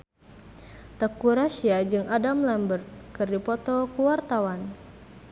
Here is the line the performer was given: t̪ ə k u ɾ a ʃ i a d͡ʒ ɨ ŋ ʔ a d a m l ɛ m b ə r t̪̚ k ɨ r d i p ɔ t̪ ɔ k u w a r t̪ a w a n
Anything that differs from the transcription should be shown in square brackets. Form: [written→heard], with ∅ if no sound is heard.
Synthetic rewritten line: t̪ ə k u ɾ a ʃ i a d͡ʒ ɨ ŋ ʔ a d a m l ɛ m b ə r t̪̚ k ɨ r d i p ɔ t̪ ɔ k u w a r t̪ a w a n